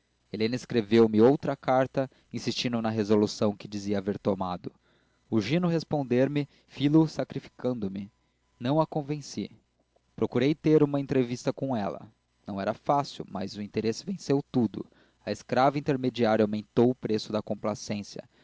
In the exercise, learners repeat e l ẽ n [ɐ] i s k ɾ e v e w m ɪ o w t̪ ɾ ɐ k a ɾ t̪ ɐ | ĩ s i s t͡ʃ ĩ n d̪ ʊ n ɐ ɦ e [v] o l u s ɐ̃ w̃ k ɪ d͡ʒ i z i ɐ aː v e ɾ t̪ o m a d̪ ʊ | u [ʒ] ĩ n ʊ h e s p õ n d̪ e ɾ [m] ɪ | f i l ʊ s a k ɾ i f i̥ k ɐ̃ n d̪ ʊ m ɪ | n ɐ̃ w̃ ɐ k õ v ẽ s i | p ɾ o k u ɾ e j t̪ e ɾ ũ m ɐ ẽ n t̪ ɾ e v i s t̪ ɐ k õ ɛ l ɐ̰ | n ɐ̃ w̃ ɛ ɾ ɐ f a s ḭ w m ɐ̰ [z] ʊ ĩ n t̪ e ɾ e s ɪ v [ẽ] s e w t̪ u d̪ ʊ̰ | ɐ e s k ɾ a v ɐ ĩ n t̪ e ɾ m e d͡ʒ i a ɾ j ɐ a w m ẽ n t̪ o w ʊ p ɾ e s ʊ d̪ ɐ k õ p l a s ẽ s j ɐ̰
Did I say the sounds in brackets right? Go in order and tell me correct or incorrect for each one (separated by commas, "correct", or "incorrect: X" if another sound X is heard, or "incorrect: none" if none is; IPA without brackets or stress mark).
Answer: correct, incorrect: z, correct, correct, correct, correct